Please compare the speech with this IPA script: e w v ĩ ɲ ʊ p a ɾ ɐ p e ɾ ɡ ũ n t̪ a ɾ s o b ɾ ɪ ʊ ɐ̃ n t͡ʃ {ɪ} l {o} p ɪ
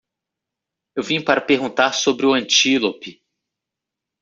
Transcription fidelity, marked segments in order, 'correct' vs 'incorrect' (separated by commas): incorrect, correct